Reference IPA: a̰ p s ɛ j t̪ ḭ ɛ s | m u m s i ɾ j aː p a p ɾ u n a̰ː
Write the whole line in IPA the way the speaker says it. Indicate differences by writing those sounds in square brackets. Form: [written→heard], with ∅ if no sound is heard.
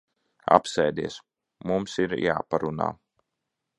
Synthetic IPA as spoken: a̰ p s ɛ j [t̪→d̪] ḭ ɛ s | m u m s i ɾ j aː p a [p→∅] ɾ u n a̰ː